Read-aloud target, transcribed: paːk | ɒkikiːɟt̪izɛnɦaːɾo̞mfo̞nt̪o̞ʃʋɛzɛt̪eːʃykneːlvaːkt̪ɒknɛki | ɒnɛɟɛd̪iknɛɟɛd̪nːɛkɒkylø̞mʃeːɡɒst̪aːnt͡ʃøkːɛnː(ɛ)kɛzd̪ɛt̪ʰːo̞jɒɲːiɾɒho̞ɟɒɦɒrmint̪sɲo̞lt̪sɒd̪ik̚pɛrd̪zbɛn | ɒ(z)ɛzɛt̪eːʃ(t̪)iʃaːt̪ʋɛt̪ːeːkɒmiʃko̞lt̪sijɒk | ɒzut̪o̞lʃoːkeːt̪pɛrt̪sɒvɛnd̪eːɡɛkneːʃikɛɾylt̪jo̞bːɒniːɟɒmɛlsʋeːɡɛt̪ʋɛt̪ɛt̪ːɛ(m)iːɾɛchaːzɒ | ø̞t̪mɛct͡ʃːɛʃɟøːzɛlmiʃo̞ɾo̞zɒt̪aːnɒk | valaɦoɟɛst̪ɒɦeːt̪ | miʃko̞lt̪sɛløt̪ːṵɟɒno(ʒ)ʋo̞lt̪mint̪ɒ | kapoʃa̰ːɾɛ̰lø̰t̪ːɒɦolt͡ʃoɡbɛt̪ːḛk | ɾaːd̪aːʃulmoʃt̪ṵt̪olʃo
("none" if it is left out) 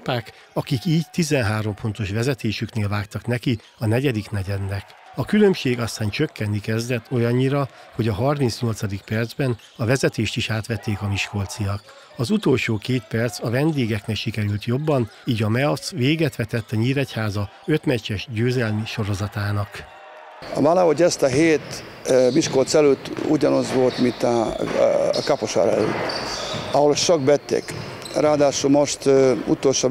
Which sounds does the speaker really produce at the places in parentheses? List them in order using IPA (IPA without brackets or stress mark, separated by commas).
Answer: i, v, t̪, ɲ, z